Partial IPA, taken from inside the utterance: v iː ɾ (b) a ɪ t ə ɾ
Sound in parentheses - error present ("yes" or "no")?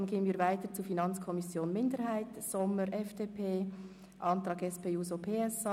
yes